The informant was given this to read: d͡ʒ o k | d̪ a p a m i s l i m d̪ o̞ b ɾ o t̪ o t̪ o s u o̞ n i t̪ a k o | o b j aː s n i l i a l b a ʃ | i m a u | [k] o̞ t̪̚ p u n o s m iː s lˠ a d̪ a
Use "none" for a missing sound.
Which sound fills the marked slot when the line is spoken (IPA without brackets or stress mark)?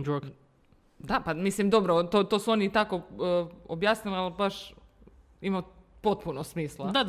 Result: p